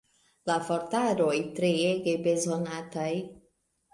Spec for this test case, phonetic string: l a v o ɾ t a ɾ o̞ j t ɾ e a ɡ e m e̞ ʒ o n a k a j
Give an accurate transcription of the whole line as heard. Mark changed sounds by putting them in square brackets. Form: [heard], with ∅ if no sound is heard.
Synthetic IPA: l a [f] o ɾ t a ɾ o̞ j t ɾ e [e] ɡ e [b] e̞ [z] o n a [t] a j